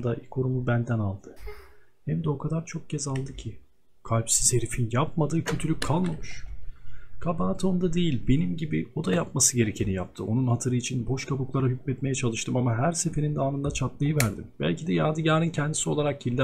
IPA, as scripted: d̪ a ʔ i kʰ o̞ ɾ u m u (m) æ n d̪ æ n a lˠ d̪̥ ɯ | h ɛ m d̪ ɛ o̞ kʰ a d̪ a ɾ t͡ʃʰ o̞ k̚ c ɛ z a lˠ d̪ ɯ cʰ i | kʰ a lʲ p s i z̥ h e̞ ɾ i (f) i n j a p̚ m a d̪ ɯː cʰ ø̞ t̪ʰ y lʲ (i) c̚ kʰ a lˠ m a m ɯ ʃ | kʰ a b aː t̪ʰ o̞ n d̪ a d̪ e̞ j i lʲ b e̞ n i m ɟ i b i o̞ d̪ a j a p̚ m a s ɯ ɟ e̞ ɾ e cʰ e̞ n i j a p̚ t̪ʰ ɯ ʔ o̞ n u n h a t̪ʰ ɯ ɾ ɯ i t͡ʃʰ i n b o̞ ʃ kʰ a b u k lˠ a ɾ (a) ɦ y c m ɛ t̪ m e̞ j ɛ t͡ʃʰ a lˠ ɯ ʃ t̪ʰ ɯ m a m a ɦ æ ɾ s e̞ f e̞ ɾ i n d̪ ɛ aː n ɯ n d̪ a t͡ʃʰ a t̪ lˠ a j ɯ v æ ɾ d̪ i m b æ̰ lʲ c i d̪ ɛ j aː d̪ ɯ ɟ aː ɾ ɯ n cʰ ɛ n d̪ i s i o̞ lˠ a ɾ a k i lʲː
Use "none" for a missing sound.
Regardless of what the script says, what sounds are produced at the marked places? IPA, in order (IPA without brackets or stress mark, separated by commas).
b, f, y, a